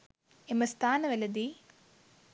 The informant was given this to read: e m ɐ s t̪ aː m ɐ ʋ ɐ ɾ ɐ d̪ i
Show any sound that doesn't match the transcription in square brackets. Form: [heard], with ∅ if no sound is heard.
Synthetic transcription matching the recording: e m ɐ s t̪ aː [n] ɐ ʋ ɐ [l] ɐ d̪ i